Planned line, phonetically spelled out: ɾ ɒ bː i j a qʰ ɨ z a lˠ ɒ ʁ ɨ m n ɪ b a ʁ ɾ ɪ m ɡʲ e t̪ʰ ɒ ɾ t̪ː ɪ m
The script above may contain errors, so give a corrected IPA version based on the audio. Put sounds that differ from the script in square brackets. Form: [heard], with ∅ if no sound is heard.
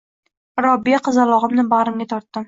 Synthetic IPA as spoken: ɾ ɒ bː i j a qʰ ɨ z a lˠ ɒ ʁ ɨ m n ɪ b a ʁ ɾ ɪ m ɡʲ [a] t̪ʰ ɒ ɾ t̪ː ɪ m